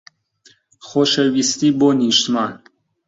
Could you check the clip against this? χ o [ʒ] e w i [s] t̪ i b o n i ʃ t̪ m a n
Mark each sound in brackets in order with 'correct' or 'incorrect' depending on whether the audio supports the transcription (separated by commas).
incorrect, correct